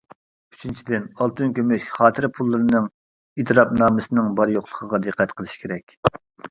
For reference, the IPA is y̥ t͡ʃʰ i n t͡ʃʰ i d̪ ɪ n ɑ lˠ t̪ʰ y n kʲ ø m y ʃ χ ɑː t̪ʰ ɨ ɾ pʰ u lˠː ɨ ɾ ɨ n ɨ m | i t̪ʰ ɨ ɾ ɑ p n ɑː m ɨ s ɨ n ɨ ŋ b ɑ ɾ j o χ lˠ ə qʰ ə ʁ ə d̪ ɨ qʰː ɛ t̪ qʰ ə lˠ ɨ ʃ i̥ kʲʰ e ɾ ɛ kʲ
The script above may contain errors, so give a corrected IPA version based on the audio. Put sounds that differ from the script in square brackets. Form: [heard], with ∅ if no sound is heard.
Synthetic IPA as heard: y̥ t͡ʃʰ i n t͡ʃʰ i d̪ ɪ n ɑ lˠ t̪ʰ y n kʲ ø m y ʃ χ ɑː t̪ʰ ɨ ɾ pʰ u lˠː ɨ ɾ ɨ n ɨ [ŋ] | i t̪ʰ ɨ ɾ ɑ p n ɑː m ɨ s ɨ n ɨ ŋ b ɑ ɾ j o χ lˠ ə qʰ ə ʁ [ɑ] d̪ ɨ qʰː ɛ t̪ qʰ ə lˠ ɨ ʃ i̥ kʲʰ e ɾ ɛ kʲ